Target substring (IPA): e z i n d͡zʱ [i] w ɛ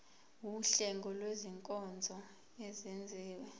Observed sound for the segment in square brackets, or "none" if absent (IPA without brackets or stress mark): iː